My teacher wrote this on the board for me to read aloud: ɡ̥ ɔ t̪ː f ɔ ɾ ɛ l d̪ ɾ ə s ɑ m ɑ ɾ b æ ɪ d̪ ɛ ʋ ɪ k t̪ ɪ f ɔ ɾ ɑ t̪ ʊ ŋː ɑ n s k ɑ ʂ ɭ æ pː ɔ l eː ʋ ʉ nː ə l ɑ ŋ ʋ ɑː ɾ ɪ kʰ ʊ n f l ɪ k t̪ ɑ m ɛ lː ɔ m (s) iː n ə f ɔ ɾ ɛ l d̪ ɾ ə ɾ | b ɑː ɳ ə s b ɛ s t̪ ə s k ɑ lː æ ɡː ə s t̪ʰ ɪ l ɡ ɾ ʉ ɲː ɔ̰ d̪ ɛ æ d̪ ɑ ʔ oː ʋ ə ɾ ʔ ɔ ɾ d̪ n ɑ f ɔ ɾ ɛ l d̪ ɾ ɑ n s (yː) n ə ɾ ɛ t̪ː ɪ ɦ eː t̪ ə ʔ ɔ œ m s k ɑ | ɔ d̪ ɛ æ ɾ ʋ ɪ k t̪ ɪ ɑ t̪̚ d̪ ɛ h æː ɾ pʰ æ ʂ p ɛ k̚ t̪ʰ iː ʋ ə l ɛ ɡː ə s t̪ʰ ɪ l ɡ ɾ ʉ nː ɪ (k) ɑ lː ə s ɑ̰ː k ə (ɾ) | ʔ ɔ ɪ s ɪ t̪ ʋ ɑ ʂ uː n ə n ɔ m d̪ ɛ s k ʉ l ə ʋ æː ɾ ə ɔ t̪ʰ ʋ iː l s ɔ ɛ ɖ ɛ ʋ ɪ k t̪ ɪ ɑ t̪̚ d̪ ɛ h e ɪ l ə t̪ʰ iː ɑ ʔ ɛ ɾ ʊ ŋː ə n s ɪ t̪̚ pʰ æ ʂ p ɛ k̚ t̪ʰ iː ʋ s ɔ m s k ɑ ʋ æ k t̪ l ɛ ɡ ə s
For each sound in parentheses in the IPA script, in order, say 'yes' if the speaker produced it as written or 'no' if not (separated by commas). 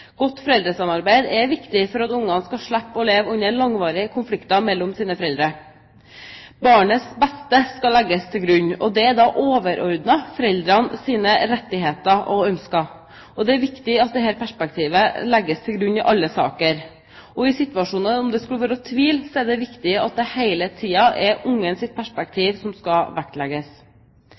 yes, no, no, yes